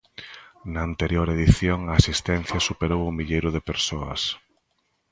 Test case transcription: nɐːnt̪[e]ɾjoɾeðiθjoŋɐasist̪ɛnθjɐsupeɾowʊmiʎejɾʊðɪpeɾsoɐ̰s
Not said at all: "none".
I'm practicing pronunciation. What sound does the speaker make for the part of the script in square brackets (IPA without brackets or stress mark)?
e